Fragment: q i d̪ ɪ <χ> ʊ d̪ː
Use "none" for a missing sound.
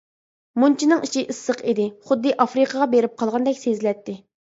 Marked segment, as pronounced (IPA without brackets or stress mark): χ